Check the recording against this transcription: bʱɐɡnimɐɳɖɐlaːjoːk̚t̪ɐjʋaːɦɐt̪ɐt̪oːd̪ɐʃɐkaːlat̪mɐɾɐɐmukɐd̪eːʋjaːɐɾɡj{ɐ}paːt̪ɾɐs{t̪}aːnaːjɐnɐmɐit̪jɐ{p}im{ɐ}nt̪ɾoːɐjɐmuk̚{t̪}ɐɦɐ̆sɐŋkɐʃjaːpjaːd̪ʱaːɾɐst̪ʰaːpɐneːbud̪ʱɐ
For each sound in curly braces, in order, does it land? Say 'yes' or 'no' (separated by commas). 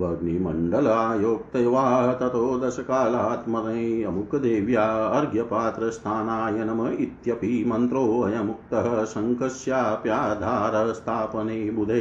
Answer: yes, no, yes, yes, yes